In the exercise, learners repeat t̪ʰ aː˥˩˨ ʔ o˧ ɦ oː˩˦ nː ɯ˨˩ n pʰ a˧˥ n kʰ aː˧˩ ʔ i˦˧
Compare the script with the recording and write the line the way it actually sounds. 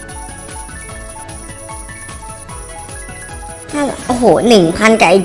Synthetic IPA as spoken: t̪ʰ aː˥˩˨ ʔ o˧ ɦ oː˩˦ n ɯ˨˩ ŋ pʰ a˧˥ n k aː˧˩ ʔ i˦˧